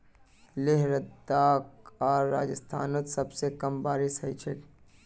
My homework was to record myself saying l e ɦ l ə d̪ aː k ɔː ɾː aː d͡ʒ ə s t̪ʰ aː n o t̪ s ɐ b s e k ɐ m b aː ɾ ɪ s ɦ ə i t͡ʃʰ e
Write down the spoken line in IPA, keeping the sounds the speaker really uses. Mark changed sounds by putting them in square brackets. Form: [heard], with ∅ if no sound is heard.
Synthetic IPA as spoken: l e ɦ [ɾ] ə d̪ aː k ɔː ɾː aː d͡ʒ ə s t̪ʰ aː n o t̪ s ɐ b s e k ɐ m b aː ɾ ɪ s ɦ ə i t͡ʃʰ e